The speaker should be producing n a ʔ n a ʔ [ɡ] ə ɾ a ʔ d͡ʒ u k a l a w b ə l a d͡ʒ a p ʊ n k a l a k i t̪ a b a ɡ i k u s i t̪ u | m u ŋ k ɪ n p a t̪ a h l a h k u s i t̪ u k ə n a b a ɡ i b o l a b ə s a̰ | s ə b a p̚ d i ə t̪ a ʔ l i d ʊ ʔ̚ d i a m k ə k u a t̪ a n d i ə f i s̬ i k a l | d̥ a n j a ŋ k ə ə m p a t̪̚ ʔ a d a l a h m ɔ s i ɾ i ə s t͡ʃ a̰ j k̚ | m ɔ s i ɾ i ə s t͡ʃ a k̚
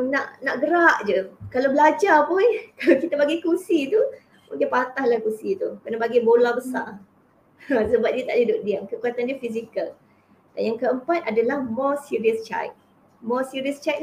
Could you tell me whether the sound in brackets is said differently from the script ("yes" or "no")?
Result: no